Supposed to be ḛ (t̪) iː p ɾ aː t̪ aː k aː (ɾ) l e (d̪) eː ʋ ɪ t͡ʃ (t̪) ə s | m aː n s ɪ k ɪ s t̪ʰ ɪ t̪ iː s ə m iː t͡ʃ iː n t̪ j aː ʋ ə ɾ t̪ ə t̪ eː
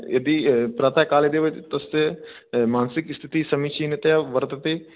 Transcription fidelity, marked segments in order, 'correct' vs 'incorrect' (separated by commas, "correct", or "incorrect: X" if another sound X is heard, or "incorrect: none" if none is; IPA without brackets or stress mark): incorrect: d̪, incorrect: none, correct, correct